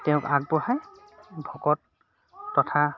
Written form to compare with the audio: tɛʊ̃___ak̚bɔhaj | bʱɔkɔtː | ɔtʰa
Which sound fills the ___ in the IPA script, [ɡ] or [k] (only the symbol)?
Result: k